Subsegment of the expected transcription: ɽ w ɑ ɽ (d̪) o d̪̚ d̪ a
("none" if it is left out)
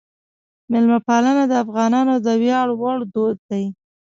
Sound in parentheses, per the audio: d̪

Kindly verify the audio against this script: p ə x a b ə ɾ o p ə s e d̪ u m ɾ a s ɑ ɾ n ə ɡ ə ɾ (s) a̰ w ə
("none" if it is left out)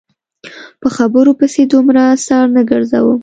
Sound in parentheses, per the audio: z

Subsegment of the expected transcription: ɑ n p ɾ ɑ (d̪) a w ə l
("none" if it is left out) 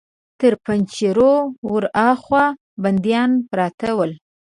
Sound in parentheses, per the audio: t̪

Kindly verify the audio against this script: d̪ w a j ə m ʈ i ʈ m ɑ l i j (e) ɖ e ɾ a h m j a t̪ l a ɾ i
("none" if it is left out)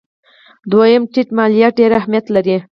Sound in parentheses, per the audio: a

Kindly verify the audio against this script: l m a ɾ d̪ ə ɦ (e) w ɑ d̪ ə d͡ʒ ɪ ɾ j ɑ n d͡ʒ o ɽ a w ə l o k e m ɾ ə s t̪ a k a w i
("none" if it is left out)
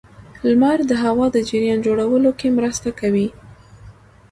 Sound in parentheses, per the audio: a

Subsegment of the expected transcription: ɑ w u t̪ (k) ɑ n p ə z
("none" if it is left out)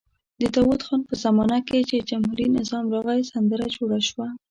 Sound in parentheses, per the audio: x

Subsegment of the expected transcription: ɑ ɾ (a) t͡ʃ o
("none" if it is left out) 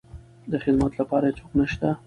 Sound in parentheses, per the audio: a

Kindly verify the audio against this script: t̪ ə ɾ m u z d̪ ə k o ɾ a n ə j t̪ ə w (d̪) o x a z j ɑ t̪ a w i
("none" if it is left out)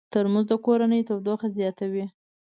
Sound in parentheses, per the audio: d̪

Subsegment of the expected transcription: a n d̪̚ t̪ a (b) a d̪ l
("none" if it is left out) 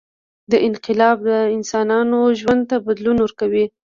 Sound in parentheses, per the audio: b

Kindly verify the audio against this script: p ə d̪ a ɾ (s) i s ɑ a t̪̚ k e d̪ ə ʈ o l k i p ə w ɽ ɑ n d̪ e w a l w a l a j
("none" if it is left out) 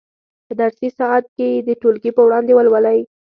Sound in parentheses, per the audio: s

